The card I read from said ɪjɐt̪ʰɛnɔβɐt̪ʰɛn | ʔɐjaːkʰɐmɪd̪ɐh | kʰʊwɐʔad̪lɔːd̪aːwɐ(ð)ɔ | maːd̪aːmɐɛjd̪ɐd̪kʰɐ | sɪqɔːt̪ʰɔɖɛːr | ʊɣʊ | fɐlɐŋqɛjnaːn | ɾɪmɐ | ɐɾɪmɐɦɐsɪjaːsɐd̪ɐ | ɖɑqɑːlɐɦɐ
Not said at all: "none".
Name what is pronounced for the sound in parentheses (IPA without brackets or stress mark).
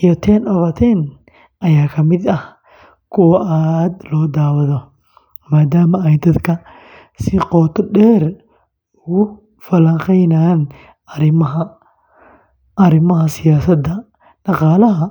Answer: ð